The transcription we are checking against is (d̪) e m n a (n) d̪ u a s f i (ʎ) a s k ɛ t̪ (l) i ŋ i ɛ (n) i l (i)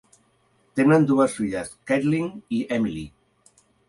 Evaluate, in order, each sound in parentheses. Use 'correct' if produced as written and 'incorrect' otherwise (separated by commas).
incorrect, correct, correct, correct, incorrect, correct